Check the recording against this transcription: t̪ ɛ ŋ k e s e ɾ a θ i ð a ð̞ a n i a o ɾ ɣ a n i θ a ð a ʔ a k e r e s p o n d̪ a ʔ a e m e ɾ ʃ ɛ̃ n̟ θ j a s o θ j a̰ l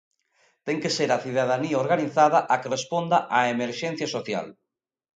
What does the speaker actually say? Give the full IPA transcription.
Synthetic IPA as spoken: t̪ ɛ ŋ k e s e ɾ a θ i ð a ð̞ a n i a o ɾ ɣ a n i θ a ð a ʔ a k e r e s p o n d̪ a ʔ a e m e ɾ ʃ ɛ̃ n̟ θ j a s o θ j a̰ l